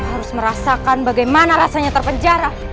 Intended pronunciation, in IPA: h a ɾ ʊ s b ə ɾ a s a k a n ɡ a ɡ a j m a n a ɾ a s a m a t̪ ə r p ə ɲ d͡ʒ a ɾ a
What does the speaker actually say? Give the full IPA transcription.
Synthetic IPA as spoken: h a ɾ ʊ s m ə ɾ a s a k a n b a ɡ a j m a n a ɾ a s a ɲ a t̪ ə r p ə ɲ d͡ʒ a ɾ a